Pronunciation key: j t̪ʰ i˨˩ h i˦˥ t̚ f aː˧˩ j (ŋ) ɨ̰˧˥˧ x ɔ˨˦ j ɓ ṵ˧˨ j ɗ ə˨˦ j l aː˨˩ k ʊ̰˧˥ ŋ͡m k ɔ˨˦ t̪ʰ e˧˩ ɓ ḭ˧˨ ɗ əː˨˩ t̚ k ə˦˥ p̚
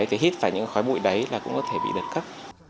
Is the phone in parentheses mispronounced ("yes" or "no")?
yes